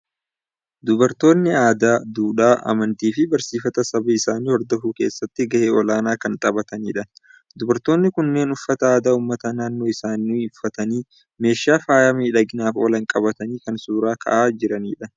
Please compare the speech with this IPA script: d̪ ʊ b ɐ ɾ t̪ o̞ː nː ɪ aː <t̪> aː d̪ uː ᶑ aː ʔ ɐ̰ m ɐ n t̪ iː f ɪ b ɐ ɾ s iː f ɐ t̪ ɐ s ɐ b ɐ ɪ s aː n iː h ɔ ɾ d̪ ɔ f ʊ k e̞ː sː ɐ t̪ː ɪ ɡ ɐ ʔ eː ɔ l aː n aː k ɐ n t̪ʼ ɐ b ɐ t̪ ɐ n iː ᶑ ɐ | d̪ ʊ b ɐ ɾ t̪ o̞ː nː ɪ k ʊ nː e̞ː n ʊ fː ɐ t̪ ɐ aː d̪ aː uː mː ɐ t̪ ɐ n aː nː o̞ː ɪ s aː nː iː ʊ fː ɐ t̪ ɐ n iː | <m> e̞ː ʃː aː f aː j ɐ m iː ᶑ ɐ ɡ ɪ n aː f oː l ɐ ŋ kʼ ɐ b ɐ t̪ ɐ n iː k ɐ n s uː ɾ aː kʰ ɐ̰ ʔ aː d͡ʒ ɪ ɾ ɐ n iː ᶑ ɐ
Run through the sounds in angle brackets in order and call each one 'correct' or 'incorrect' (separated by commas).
incorrect, correct